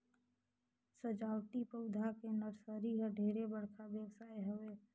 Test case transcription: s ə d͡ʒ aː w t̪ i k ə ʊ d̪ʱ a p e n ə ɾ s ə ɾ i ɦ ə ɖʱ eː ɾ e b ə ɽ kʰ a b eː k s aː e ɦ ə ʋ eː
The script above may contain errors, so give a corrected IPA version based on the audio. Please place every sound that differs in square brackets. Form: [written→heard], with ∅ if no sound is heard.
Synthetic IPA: s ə d͡ʒ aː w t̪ i [k→p] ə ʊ d̪ʱ a [p→k] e n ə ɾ s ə ɾ i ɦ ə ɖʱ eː ɾ e b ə ɽ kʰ a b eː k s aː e ɦ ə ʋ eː